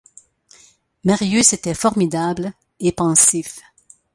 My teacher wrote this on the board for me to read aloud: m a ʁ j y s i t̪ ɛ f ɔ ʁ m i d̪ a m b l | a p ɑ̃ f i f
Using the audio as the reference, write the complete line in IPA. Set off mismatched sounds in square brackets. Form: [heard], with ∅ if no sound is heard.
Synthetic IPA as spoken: m a ʁ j y s [e] t̪ ɛ f ɔ ʁ m i d̪ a [∅] b l | [e] p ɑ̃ [s] i f